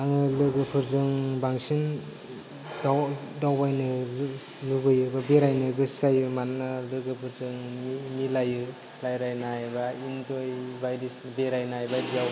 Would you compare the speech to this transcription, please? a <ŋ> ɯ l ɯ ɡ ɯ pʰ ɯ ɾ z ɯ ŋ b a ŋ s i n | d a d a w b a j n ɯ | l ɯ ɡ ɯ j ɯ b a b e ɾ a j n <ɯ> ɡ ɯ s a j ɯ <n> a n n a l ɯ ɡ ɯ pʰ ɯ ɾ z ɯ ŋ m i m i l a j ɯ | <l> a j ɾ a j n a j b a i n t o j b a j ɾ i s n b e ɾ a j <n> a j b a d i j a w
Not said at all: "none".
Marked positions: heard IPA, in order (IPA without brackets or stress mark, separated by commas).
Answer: ŋ, ɯ, m, l, n